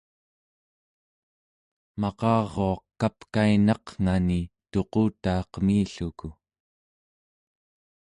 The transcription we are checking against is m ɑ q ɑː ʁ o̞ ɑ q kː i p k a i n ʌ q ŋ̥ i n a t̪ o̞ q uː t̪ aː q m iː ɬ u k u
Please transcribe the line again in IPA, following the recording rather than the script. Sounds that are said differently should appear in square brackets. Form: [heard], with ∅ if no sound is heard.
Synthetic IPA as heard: m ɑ q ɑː ʁ o̞ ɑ q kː [a] p k a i n [ɑ] q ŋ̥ [a] n [i] t̪ o̞ q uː t̪ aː q m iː ɬ u k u